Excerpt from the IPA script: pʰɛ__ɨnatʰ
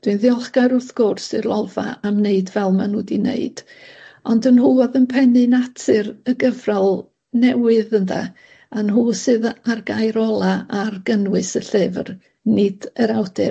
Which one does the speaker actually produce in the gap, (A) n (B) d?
A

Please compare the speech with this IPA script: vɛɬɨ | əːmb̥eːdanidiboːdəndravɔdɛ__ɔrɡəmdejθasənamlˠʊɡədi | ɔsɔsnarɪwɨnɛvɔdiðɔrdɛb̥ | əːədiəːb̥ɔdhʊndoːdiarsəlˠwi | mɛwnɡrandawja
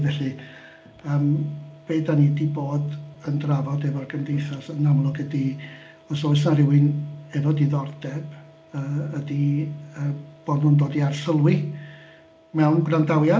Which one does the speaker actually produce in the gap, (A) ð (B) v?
B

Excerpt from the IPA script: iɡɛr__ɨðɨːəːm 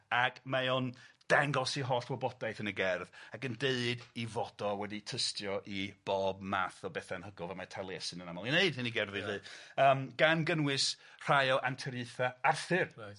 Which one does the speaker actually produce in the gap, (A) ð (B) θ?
A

